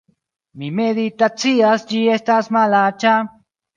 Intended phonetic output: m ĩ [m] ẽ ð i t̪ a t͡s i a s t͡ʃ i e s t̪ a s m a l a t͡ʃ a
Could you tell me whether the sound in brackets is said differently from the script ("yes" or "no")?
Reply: no